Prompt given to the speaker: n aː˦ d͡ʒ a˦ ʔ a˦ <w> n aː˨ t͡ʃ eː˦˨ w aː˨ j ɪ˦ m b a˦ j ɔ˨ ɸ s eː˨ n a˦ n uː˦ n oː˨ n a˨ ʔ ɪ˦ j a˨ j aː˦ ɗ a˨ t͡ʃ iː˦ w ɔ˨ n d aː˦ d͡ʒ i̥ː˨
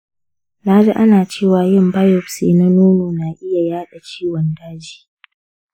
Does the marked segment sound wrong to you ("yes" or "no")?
yes